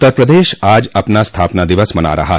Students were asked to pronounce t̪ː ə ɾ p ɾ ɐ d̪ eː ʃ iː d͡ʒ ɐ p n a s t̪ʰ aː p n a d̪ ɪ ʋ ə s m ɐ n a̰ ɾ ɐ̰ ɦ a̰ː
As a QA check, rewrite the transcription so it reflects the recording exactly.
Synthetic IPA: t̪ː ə ɾ p ɾ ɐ d̪ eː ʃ aː d͡ʒ ɐ p n a s t̪ʰ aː p n a d̪ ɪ ʋ ə s m ɐ n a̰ ɾ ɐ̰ ɦ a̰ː